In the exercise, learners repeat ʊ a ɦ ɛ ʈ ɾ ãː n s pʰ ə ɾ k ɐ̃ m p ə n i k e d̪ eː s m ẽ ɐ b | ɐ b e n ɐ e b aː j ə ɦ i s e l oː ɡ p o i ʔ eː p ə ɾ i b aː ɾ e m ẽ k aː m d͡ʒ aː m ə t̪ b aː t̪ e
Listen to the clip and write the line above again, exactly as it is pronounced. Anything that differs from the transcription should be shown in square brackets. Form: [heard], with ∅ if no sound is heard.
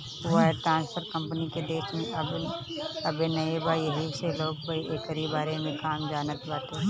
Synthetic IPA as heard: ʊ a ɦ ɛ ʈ ɾ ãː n s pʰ ə ɾ k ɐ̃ m p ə n i k e d̪ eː [ʃ] m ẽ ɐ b | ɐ b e n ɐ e b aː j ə ɦ i s e l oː ɡ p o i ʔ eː [k] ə ɾ i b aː ɾ e m ẽ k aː m d͡ʒ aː [n] ə t̪ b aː t̪ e

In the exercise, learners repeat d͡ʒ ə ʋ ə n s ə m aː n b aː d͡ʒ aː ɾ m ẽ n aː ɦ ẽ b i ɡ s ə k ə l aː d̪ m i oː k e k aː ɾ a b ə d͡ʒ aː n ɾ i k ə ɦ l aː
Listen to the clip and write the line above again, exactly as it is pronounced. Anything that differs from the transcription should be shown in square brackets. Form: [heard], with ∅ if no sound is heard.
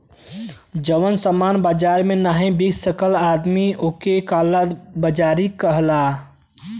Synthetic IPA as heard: d͡ʒ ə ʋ ə n s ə m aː n b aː d͡ʒ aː ɾ m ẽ n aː ɦ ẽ b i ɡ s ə k ə l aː d̪ m i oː k e k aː [l] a b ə d͡ʒ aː [∅] ɾ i k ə ɦ l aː

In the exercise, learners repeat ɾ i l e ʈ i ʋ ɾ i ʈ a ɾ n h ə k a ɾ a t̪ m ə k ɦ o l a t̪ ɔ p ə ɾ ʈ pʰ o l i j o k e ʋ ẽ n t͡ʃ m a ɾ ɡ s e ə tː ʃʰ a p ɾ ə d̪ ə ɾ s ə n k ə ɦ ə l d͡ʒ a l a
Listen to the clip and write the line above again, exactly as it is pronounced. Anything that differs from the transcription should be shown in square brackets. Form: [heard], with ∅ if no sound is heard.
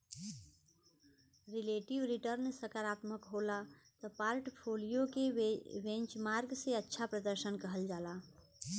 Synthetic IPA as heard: ɾ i l e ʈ i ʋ ɾ i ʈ [ə] ɾ n [s] ə k a ɾ a t̪ m ə k ɦ o l a t̪ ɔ p [a] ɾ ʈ pʰ o l i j o k e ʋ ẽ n t͡ʃ m a ɾ ɡ s e ə tː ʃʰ a p ɾ ə d̪ ə ɾ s ə n k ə ɦ ə l d͡ʒ a l a

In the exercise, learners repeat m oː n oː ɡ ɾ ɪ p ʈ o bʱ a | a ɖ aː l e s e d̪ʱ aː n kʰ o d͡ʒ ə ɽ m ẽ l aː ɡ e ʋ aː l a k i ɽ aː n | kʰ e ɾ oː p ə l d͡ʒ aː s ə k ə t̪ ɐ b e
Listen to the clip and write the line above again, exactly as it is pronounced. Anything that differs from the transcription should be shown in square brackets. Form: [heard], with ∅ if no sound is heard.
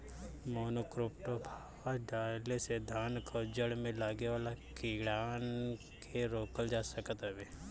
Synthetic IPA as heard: m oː n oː [k] ɾ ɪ p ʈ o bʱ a | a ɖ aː l e s e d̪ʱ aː n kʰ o d͡ʒ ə ɽ m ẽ l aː ɡ e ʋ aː l a k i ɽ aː n | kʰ e ɾ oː [k] ə l d͡ʒ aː s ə k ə t̪ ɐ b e

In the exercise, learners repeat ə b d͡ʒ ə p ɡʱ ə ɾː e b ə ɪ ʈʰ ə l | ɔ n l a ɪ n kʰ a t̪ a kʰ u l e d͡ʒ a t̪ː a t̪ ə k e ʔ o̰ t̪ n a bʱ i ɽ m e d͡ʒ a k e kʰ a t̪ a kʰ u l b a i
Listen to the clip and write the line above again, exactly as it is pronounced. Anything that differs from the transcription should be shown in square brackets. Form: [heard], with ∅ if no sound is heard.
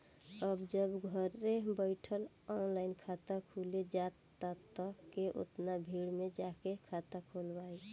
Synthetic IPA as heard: ə b d͡ʒ ə [b] ɡʱ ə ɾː e b ə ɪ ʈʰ ə l | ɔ n l a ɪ n kʰ a t̪ a kʰ u l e d͡ʒ a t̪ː a t̪ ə k e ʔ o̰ t̪ n a bʱ i ɽ m e d͡ʒ a k e kʰ a t̪ a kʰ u l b a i

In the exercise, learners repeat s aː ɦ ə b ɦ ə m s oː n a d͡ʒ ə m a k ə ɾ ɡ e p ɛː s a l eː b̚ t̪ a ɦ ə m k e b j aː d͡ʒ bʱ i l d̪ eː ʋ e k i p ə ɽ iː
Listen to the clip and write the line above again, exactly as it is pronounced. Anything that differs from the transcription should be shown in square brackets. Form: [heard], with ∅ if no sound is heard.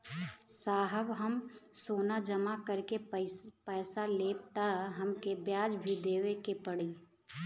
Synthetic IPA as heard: s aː ɦ ə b ɦ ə m s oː n a d͡ʒ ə m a k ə ɾ [k] e p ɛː s a l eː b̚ t̪ a ɦ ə m k e b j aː d͡ʒ bʱ i [∅] d̪ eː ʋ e k [e] p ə ɽ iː

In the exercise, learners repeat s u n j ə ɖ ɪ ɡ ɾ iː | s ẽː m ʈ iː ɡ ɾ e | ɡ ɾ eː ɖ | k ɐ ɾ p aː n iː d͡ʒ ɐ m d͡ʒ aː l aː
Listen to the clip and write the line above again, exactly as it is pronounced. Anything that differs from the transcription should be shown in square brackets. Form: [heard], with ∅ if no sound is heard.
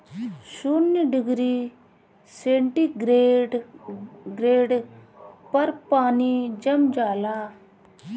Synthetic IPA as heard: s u n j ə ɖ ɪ ɡ ɾ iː | s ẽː [ɳ] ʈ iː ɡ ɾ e | ɡ ɾ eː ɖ | [p] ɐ ɾ p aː n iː d͡ʒ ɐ m d͡ʒ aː l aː

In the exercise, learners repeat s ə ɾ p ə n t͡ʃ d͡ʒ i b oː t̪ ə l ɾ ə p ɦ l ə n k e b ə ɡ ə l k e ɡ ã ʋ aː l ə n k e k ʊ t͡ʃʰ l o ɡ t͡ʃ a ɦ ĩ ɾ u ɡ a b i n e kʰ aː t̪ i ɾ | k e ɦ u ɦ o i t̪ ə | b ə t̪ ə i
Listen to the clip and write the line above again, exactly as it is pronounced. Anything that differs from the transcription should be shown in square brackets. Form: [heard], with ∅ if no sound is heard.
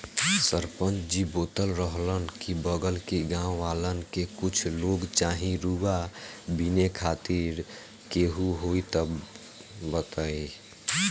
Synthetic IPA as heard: s ə ɾ p ə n t͡ʃ d͡ʒ i b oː t̪ ə l ɾ ə [∅] ɦ l ə n k [i] b ə ɡ ə l k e ɡ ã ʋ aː l ə n k e k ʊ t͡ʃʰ l o ɡ t͡ʃ a ɦ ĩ ɾ u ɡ a b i n e kʰ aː t̪ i ɾ | k e ɦ u ɦ o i t̪ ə | b ə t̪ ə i

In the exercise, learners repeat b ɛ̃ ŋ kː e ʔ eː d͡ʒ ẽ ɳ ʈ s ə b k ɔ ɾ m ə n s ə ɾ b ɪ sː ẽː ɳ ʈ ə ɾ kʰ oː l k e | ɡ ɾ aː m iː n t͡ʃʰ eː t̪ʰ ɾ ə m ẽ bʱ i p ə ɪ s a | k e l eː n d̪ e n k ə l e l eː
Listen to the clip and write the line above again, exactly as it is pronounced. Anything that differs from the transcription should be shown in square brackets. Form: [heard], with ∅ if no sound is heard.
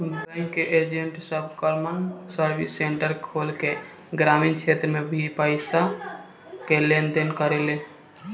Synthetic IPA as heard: b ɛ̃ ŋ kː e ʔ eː d͡ʒ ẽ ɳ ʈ s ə b k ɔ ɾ m ə n s ə ɾ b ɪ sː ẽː ɳ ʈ ə ɾ kʰ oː l k e | ɡ ɾ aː m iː n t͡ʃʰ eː [t̪] ɾ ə m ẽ bʱ i p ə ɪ s a | k e l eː n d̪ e n k ə [ɾ] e l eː

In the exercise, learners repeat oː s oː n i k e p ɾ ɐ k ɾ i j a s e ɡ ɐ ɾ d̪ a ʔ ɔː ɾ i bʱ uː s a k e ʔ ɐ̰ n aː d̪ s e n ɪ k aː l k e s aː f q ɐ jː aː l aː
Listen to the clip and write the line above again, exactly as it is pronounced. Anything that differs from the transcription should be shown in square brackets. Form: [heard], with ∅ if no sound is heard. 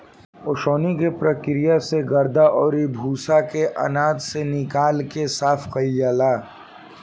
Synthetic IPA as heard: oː [ʃ] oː n i k e p ɾ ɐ k ɾ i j a s e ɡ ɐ ɾ d̪ a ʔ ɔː ɾ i bʱ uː s a k e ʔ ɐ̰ n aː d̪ s e n ɪ k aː l k e s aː f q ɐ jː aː l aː

